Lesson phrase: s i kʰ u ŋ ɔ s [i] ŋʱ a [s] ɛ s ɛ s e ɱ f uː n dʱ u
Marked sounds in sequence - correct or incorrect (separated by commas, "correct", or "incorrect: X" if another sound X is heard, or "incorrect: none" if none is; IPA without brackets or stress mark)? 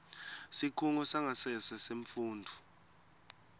incorrect: a, correct